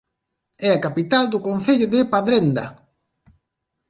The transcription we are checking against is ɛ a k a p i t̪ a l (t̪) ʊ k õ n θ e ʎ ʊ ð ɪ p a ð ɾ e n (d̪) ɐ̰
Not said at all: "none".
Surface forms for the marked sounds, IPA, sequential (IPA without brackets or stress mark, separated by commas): d̪, d̪